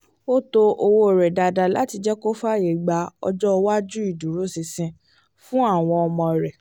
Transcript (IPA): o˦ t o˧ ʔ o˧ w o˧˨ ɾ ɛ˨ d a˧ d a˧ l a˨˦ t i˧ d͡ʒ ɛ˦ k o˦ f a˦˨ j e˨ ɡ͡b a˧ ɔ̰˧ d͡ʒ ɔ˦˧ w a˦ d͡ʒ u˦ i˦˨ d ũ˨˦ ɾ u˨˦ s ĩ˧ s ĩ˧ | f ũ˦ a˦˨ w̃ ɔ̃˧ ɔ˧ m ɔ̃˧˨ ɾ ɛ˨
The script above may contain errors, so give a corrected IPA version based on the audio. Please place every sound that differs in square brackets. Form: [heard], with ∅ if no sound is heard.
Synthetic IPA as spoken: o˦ t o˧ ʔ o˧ w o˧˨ ɾ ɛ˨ d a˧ d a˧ l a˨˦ t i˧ d͡ʒ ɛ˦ k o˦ f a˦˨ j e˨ ɡ͡b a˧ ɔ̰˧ d͡ʒ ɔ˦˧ w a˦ d͡ʒ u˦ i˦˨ d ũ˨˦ ɾ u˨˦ s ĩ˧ s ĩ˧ | f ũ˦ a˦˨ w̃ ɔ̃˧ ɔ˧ m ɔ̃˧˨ ɾ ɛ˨